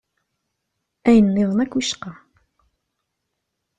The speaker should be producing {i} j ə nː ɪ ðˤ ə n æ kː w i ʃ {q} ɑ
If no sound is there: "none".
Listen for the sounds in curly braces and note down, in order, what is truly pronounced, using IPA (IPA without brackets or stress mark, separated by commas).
æ, q